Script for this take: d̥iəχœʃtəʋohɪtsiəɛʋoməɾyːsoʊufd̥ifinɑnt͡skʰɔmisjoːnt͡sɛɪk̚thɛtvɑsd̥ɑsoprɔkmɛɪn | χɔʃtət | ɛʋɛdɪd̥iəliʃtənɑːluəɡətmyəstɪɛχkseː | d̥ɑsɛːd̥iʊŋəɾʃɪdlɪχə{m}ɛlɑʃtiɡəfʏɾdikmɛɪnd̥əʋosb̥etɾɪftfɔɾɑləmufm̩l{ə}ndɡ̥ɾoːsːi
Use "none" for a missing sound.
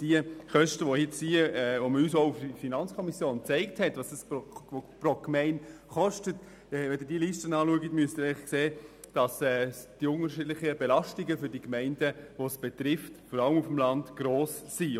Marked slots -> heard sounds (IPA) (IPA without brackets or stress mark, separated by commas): b, ɑ